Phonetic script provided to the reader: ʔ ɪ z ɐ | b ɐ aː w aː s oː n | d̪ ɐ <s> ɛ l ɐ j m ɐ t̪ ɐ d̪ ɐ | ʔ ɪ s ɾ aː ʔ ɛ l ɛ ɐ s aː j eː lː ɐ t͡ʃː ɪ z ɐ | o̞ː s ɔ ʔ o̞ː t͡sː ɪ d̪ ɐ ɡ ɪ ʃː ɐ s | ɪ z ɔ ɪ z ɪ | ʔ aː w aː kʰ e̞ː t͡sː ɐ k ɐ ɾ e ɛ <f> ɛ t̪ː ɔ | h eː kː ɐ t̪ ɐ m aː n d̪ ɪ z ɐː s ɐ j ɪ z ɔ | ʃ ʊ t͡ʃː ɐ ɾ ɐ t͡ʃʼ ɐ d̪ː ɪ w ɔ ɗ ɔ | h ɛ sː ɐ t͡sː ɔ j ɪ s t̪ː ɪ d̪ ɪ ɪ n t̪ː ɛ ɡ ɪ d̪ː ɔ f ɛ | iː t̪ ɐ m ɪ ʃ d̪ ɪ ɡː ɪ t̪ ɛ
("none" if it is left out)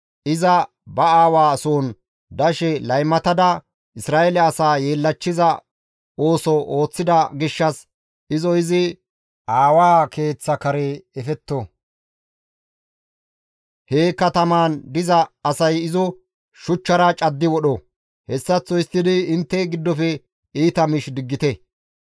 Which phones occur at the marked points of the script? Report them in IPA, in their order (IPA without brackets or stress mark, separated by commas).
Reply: ʃ, f